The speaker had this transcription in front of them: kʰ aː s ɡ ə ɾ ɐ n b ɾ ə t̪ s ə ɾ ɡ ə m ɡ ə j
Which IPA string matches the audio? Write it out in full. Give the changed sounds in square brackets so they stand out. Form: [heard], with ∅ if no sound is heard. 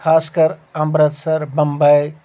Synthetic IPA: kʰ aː s [k] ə ɾ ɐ [m] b ɾ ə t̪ s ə ɾ [b] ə m [b] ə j